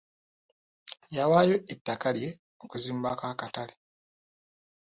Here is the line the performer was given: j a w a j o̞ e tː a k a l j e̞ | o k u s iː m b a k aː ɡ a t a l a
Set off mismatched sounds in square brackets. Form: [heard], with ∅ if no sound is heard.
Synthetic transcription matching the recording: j a w a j o̞ e tː a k a l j e̞ | o k u [z] iː m b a k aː [k] a t a l [e]